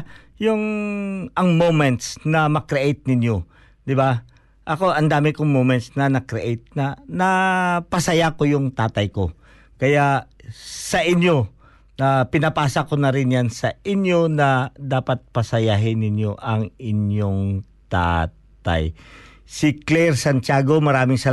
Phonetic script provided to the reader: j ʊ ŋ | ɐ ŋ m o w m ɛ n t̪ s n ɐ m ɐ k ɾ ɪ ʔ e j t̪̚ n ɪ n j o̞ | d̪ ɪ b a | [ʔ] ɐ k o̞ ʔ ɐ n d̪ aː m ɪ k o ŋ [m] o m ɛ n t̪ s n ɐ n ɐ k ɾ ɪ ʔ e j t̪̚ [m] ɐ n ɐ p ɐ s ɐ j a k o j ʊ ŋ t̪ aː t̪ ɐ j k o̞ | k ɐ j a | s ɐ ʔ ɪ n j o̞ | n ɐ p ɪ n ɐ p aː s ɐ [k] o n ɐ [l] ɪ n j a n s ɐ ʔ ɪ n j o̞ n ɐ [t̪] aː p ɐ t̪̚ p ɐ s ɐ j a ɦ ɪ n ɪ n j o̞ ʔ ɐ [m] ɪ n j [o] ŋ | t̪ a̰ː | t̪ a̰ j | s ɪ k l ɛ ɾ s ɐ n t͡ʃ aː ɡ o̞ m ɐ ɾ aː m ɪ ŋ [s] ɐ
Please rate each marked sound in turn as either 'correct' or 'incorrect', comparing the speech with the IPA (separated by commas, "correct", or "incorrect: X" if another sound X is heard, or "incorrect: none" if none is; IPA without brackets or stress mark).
correct, correct, incorrect: n, correct, incorrect: ɾ, incorrect: d̪, incorrect: ŋ, correct, correct